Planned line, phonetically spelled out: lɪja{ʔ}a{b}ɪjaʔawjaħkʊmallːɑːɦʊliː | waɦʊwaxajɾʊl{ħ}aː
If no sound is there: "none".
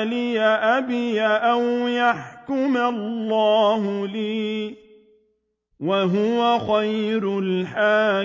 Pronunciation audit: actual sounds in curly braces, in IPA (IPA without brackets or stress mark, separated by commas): ʔ, b, ħ